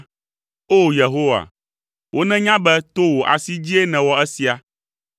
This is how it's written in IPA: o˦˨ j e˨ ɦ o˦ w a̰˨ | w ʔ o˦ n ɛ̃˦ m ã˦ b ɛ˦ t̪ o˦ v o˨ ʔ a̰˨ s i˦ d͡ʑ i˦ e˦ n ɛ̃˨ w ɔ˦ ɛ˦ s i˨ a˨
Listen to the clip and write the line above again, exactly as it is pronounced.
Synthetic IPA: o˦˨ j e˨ ɦ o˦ w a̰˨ | w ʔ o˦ n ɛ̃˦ ɲ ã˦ b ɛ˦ t̪ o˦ w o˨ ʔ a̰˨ s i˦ d͡ʑ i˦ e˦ n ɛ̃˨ w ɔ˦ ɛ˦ s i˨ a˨